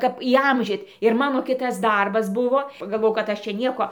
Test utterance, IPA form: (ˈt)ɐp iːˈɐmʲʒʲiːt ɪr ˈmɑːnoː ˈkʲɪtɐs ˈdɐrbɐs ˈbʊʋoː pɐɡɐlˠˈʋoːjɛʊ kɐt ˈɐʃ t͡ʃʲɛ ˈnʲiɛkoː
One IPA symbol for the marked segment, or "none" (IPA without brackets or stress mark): k